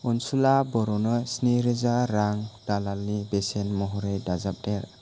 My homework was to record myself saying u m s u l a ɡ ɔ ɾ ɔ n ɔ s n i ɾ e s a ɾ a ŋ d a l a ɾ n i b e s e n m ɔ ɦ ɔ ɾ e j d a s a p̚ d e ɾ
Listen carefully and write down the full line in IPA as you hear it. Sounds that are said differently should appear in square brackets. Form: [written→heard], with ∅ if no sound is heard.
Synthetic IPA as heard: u [m→n] s u l a [ɡ→b] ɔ ɾ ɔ n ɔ s n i ɾ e [s→z] a ɾ a ŋ d a l a [ɾ→l] n i b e s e n m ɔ ɦ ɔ ɾ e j d a [s→z] a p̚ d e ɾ